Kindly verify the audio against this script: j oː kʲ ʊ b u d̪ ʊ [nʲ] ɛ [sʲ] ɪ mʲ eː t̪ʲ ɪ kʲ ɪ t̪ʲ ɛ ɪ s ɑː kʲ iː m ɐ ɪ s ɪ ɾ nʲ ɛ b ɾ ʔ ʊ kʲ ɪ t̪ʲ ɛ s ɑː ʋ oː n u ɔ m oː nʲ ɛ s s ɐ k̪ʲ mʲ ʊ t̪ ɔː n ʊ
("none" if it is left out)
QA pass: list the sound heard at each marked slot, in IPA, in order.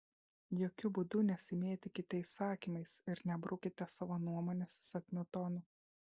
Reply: nʲ, sʲ

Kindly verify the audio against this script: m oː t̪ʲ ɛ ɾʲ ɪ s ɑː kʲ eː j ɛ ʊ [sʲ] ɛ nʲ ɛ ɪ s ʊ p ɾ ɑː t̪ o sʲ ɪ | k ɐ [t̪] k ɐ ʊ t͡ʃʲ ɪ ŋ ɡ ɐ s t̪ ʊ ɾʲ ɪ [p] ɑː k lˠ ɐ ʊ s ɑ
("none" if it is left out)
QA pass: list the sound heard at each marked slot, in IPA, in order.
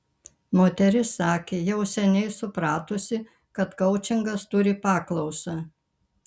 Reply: sʲ, t̪, p

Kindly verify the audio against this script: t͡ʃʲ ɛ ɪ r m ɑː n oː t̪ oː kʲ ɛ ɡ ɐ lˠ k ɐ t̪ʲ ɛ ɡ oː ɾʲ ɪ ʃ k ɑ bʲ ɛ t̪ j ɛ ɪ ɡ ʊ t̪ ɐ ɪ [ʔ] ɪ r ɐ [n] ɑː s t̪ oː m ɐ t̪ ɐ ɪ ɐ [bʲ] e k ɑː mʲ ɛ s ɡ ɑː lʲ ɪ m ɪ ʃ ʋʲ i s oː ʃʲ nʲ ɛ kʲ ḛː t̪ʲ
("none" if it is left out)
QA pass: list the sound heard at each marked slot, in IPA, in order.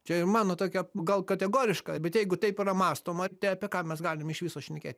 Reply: p, m, pʲ

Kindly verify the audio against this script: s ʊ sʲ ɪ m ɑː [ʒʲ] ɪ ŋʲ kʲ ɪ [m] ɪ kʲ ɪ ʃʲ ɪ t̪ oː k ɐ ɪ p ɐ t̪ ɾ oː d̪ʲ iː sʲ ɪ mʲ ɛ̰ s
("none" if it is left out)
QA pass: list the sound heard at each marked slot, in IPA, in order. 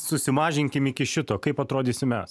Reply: ʒʲ, m

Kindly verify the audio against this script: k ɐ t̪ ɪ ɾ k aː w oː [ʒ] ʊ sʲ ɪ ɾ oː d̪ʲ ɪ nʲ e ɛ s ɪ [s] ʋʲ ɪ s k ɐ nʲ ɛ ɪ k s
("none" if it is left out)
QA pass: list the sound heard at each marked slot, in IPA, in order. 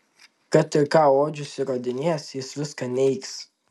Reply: d͡ʒ, s

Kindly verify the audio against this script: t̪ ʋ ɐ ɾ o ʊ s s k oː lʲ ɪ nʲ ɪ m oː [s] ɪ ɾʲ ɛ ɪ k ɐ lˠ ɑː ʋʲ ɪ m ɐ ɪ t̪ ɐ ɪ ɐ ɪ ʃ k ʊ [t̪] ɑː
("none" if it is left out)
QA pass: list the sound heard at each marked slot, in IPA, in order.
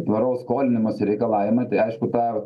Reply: s, t̪

